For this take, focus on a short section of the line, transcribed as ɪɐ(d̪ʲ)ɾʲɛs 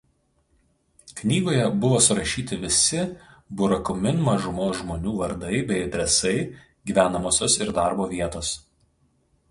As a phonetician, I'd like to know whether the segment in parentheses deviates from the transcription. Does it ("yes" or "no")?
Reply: no